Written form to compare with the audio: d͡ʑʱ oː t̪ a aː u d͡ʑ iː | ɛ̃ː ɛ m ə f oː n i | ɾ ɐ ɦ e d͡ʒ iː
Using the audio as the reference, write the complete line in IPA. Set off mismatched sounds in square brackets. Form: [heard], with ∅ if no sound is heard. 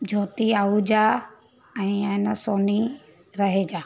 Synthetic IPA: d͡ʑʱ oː t̪ [i] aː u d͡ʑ [aː] | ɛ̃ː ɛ [n] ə [s] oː n i | ɾ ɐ ɦ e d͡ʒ [aː]